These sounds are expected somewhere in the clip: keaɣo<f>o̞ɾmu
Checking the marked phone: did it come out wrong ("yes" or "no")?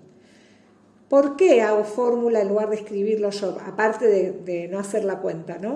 no